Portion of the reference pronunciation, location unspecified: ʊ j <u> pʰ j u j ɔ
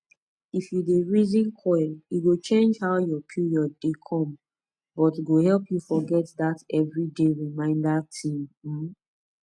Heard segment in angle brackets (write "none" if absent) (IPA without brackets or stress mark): ɔ